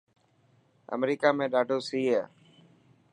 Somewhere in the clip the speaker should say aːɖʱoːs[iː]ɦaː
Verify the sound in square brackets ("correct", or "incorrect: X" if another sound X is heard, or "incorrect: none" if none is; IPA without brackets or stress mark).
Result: correct